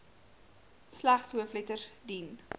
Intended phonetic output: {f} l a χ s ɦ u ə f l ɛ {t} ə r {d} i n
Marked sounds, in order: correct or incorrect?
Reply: incorrect: s, correct, correct

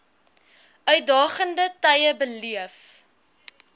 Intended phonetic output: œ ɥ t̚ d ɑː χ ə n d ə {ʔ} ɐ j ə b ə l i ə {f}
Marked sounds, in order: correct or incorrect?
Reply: incorrect: t, correct

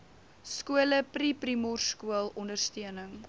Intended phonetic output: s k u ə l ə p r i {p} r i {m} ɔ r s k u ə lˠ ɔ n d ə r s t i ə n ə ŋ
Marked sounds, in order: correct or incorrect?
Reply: correct, correct

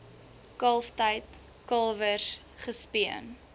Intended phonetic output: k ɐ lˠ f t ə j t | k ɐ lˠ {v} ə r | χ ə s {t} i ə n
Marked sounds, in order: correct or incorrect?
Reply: correct, incorrect: p

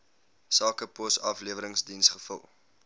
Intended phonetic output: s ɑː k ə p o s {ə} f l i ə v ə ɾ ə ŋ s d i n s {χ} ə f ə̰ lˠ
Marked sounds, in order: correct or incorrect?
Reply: incorrect: ɐ, correct

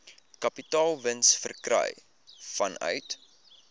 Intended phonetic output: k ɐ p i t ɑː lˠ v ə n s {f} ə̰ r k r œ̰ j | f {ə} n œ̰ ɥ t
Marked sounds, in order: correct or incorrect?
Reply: correct, incorrect: ɐ

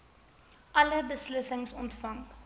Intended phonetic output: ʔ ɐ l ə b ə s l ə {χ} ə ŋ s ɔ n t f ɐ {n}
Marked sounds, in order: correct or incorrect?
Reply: incorrect: s, incorrect: ŋ

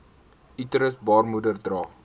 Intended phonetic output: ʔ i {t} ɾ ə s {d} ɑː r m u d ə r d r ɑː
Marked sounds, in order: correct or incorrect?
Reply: correct, incorrect: b

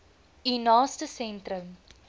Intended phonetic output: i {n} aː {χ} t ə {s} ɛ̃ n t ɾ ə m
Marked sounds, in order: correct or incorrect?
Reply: correct, incorrect: s, correct

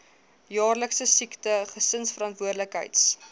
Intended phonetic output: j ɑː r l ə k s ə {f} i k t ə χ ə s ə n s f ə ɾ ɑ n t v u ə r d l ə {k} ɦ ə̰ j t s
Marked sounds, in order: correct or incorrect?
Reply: incorrect: s, correct

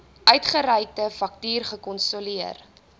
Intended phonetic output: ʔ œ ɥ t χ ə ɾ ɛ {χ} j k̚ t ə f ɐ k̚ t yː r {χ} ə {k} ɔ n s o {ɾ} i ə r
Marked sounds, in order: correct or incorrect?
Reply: incorrect: none, correct, correct, incorrect: l

